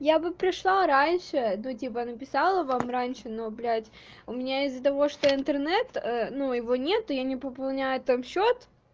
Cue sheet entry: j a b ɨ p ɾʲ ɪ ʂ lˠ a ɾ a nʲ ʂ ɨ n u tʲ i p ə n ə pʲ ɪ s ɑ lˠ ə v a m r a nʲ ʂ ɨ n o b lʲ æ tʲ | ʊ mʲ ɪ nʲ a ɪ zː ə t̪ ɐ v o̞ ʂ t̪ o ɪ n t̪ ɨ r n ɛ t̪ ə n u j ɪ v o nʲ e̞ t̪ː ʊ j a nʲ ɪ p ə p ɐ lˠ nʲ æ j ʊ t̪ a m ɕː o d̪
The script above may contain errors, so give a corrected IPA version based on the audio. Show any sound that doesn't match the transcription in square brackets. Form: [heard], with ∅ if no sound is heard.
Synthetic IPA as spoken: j a b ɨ p ɾʲ ɪ ʂ lˠ a ɾ a nʲ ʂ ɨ n u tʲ i p ə n ə pʲ ɪ s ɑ lˠ ə v a m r a nʲ ʂ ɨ n o b lʲ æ tʲ | ʊ mʲ ɪ nʲ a ɪ zː ə t̪ ɐ v o̞ ʂ t̪ o ɪ n t̪ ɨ r n ɛ t̪ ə n u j ɪ v o nʲ e̞ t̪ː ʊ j a nʲ ɪ p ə p ɐ lˠ nʲ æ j ʊ t̪ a m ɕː o [t̪]